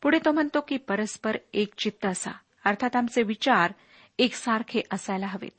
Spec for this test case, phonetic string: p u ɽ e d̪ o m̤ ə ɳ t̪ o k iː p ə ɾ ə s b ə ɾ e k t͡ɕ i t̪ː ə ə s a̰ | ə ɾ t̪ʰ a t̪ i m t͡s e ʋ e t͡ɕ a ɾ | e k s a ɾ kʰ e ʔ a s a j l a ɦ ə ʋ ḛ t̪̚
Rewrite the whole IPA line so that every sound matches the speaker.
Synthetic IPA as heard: p u ɽ e t̪ o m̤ ə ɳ t̪ o k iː p ə ɾ ə s p ə ɾ e k t͡ɕ i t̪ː ə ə s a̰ | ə ɾ t̪ʰ a t̪ a m t͡s e ʋ i t͡ɕ a ɾ | e k s a ɾ kʰ e ʔ ə s a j l a ɦ ə ʋ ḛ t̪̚